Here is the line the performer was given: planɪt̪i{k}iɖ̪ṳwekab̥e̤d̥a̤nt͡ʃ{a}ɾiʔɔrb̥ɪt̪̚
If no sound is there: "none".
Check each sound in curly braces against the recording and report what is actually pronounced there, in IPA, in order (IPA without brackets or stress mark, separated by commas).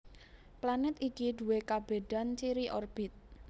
k, i